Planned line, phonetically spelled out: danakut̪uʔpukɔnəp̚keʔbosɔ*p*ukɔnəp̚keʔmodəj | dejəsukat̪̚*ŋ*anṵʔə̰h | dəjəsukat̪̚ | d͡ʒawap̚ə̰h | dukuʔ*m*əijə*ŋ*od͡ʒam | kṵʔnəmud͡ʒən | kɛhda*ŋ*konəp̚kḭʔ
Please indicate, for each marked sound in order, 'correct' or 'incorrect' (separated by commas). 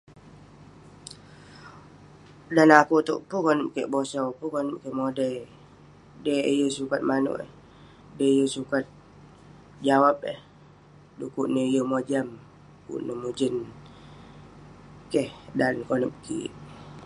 correct, incorrect, incorrect, incorrect, incorrect